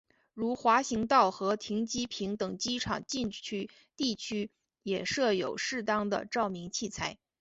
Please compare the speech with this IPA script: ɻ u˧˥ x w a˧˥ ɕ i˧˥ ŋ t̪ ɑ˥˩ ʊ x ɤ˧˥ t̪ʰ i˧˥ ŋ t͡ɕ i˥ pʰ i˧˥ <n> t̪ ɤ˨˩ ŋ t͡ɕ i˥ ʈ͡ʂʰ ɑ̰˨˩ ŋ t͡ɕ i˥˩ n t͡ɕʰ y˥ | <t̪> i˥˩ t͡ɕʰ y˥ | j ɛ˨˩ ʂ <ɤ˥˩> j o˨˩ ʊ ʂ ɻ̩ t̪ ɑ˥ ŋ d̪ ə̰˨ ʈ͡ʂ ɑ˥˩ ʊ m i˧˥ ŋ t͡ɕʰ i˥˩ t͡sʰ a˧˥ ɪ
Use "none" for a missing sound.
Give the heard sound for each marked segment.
ŋ, t̪, ɤ˥˩

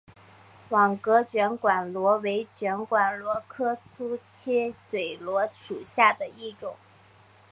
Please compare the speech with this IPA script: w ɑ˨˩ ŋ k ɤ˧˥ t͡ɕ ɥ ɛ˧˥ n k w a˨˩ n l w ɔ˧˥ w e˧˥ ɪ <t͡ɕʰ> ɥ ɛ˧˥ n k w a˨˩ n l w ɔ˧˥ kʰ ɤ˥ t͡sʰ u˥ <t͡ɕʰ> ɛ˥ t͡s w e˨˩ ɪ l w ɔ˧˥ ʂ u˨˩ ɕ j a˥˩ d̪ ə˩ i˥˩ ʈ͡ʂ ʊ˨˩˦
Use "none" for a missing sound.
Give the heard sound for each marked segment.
t͡ɕ, t͡ɕʰ

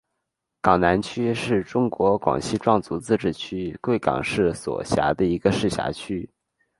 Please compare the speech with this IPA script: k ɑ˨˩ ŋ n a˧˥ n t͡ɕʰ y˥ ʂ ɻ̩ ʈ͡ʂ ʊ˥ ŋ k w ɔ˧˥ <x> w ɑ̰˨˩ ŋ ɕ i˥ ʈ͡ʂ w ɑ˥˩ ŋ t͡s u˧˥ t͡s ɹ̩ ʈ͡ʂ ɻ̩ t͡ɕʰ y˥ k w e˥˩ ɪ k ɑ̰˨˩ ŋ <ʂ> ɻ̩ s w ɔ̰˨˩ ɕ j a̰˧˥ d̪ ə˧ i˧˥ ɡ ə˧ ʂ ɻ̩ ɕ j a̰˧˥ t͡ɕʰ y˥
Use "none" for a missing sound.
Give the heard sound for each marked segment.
k, ʂ

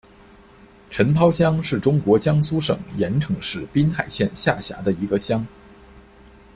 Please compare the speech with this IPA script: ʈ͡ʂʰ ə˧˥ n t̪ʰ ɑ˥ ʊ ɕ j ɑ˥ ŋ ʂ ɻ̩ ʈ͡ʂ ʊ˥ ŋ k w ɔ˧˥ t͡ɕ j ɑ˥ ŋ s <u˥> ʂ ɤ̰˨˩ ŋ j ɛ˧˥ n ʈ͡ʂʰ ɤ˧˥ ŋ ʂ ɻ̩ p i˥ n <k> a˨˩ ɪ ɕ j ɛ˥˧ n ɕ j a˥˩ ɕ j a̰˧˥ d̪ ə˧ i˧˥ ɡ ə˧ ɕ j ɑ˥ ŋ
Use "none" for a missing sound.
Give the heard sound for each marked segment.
u˥, x

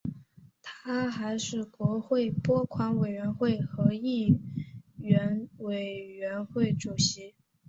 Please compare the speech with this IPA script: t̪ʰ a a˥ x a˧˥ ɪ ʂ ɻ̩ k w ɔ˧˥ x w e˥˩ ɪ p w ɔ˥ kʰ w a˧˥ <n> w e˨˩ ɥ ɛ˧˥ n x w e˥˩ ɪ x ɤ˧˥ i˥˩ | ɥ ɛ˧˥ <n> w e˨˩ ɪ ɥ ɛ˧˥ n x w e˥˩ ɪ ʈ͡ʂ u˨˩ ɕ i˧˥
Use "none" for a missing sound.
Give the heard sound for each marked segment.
n, n

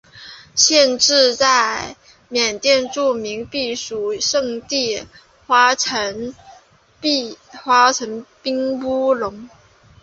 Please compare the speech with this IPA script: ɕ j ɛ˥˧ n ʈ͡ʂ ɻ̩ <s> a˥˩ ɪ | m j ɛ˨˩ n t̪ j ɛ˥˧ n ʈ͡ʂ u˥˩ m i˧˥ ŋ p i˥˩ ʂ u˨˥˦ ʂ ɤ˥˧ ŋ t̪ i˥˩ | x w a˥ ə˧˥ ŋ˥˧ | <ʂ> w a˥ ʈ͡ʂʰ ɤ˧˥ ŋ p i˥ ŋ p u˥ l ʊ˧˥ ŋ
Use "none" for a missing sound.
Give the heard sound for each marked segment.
t͡s, x

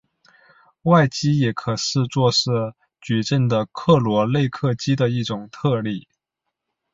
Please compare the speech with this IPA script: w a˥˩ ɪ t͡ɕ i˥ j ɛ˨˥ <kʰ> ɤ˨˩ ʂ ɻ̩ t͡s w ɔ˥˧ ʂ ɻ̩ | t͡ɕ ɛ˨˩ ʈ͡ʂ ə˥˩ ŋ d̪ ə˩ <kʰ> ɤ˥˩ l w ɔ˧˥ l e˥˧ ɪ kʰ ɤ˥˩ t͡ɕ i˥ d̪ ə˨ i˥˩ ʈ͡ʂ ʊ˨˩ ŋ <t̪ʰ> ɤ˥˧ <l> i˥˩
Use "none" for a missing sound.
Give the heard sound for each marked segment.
kʰ, kʰ, t̪ʰ, l

